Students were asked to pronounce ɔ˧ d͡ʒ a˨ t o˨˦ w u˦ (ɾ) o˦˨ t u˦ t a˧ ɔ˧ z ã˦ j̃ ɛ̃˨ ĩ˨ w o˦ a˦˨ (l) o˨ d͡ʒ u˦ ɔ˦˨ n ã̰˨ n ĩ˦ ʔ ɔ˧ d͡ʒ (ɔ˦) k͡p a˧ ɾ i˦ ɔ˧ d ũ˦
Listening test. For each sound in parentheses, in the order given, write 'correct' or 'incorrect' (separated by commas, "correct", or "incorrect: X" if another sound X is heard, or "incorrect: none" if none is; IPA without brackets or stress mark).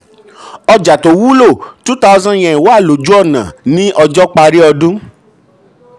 incorrect: l, correct, correct